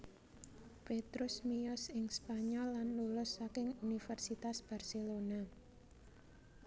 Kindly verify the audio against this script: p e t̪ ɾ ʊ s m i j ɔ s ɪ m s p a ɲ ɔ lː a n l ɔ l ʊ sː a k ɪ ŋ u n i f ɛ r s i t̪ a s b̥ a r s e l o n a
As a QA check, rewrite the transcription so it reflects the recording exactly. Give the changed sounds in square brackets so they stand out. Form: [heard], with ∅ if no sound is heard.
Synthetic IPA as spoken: p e t̪ ɾ ʊ s m i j ɔ s ɪ [ŋ] s p a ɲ ɔ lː a n l [u] l ʊ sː a k ɪ ŋ u n i f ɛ r s i t̪ a s b̥ a r s e l o n a